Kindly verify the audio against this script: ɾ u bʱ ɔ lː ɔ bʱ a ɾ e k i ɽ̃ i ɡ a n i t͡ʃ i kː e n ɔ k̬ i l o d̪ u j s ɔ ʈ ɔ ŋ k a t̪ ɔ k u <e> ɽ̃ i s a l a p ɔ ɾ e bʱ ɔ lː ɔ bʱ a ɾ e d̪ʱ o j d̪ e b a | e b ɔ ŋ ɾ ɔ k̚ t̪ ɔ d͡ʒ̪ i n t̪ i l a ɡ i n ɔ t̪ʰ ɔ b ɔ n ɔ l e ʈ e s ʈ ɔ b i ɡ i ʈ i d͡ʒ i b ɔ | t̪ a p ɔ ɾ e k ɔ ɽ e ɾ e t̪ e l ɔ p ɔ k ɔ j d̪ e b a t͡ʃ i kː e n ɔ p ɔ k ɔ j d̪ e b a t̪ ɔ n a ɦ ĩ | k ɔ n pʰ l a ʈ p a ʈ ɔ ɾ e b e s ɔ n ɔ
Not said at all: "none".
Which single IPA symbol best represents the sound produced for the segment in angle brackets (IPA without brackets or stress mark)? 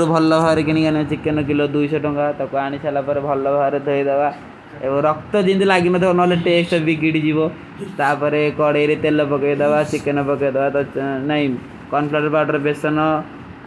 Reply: a